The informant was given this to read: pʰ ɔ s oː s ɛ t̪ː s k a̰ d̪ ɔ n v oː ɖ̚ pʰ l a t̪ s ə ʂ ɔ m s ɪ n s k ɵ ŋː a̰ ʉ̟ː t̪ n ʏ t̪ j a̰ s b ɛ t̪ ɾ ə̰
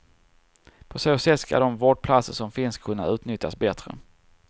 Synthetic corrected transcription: pʰ ɔ s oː s ɛ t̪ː s k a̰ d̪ ɔ m v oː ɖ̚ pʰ l a t̪ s ə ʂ ɔ m f ɪ n s kʰ ɵ nː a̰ ʉ̟ː t̪ n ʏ t̪ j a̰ s b ɛ t̪ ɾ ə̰